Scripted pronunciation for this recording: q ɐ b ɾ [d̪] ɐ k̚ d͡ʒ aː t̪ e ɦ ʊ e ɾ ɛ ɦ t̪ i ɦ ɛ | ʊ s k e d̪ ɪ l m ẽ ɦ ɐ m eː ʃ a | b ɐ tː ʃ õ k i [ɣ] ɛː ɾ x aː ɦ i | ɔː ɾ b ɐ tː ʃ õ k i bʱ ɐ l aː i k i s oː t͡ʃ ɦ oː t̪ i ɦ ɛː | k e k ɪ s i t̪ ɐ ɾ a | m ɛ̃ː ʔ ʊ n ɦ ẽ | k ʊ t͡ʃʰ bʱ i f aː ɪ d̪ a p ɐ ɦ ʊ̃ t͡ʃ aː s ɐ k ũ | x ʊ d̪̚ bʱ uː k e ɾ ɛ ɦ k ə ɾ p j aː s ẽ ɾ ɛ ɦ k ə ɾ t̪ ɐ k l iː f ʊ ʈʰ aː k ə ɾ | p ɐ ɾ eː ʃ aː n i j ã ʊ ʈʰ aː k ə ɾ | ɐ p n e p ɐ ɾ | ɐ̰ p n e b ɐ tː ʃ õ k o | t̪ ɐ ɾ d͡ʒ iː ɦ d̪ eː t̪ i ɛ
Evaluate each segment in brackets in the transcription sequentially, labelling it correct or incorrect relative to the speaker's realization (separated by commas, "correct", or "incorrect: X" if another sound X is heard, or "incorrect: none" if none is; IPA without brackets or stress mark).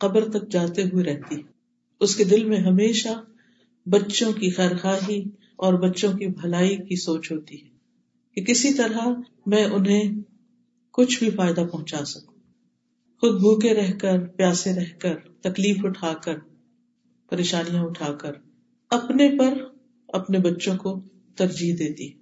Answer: incorrect: t̪, incorrect: x